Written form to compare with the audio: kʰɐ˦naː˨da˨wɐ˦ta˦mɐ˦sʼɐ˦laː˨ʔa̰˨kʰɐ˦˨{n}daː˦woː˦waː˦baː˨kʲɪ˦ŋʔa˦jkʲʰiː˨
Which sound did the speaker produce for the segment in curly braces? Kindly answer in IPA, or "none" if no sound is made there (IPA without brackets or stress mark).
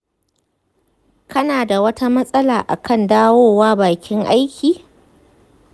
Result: n